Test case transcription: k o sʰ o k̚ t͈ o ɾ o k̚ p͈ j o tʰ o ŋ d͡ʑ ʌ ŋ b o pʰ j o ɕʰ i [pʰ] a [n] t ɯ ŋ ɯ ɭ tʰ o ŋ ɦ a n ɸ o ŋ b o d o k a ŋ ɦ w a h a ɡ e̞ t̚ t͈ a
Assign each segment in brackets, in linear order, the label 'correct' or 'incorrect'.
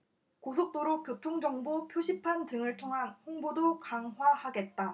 correct, correct

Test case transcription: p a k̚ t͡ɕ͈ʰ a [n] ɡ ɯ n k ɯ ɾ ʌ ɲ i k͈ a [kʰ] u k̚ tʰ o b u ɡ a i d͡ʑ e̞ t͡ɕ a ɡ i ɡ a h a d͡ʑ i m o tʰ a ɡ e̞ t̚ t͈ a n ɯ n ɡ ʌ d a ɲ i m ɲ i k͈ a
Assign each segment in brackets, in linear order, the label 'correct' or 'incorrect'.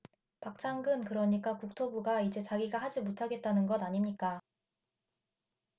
incorrect, incorrect

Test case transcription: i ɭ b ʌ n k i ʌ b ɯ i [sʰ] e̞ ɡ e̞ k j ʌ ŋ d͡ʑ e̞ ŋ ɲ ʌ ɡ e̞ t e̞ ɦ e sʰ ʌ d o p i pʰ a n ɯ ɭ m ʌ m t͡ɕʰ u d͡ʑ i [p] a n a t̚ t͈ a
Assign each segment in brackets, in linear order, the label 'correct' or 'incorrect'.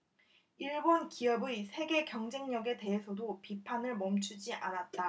correct, incorrect

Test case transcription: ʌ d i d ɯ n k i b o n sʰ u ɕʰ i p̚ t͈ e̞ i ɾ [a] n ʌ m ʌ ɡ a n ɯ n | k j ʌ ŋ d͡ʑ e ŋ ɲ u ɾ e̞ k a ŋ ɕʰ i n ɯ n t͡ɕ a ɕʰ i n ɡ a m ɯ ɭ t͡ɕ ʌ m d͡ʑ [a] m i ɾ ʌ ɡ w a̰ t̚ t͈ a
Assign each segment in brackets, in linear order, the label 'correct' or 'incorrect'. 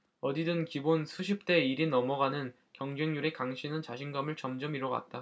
incorrect, incorrect

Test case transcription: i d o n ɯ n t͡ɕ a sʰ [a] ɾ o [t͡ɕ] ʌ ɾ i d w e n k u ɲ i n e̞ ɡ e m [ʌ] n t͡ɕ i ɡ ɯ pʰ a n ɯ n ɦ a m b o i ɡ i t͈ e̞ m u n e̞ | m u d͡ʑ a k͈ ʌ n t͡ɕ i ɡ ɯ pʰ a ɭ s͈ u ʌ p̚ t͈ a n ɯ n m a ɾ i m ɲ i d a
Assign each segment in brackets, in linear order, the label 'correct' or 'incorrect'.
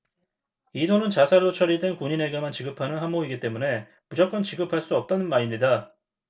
correct, incorrect, incorrect

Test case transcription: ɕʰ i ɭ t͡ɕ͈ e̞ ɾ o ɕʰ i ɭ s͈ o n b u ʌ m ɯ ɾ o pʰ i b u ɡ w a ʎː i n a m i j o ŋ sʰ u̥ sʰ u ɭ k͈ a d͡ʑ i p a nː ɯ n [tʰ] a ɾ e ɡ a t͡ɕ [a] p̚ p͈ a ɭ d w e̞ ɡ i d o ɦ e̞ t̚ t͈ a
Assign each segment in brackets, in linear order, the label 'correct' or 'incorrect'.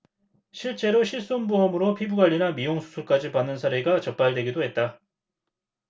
incorrect, incorrect

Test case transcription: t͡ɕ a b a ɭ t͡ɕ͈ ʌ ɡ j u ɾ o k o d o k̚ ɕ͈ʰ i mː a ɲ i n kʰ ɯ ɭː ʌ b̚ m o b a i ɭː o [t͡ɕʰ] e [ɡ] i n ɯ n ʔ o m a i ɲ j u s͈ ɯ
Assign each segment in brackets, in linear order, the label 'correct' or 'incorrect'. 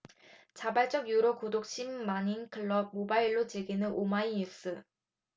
incorrect, correct

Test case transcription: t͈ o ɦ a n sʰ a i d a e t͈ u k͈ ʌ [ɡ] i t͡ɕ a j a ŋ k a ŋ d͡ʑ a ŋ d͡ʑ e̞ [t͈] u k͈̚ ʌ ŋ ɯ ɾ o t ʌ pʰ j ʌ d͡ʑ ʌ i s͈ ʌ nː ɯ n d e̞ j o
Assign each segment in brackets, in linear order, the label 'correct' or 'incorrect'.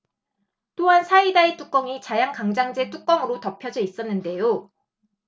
incorrect, correct

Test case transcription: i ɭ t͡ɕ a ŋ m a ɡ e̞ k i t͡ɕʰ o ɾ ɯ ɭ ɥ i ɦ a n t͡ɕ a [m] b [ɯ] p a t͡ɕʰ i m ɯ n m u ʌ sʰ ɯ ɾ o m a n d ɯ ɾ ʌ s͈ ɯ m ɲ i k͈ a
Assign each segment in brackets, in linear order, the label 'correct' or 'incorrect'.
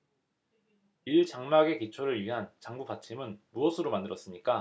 incorrect, incorrect

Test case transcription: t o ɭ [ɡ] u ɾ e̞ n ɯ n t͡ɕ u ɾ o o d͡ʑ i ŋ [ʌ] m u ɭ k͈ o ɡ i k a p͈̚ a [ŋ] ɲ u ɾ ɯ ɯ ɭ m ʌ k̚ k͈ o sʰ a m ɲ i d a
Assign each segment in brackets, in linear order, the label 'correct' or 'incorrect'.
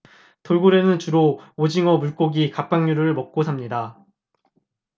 correct, correct, correct

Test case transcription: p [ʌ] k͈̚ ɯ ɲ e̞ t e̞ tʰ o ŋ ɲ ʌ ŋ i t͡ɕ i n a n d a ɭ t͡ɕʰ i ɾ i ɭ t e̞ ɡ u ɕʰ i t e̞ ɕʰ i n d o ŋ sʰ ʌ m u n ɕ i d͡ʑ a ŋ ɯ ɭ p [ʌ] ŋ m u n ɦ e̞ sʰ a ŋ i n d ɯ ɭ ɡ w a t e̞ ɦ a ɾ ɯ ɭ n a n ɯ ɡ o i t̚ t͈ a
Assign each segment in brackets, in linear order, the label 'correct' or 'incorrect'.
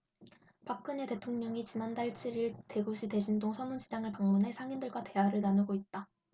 incorrect, incorrect

